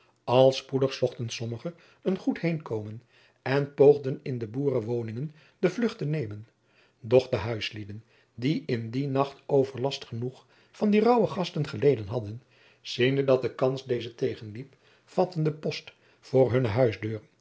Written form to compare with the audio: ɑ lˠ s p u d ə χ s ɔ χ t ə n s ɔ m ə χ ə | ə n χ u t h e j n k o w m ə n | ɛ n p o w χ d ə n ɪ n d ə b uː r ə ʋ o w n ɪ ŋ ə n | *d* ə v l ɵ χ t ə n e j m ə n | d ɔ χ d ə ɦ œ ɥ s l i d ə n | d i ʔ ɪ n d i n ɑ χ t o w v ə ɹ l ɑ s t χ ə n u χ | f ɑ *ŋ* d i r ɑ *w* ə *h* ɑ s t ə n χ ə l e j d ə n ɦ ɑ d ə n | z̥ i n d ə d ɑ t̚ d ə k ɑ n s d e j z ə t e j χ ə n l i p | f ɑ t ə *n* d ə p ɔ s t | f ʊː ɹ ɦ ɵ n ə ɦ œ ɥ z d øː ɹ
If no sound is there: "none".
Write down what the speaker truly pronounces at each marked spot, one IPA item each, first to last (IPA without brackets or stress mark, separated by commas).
d, n, w, χ, n